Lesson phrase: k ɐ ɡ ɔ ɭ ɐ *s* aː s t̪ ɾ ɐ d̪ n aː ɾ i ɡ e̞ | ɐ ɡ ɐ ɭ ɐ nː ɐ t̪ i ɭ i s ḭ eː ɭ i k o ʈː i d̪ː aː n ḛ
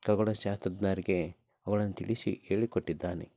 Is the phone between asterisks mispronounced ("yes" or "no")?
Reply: yes